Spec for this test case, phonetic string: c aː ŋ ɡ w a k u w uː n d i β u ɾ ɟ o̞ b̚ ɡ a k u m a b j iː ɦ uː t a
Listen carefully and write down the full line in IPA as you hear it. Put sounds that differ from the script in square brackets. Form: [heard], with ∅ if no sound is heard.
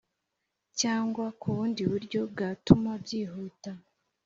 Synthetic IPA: c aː ŋ ɡ w a k u [β] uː n d i β u ɾ ɟ o̞ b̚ ɡ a [t] u m a b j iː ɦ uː t a